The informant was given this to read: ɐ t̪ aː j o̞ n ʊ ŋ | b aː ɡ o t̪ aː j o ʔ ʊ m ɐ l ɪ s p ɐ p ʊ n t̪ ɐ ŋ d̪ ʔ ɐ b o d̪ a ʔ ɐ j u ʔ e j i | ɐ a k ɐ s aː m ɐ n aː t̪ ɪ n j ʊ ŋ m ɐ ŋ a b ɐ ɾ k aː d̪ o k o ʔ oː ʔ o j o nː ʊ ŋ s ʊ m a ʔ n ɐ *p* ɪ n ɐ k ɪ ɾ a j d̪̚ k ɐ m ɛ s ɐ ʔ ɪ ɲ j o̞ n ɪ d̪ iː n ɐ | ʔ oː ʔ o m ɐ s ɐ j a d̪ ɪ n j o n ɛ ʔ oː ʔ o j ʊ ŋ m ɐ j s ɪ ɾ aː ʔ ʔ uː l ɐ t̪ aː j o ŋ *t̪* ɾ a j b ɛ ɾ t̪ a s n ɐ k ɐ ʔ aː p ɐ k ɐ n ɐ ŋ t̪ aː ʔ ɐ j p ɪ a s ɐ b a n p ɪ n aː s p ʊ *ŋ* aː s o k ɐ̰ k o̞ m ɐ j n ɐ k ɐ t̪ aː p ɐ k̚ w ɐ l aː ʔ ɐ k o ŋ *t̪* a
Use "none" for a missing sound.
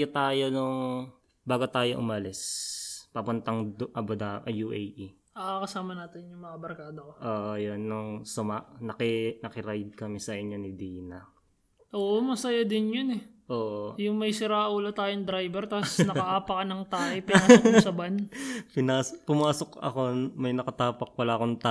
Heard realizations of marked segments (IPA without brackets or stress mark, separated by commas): k, d̪, m, t̪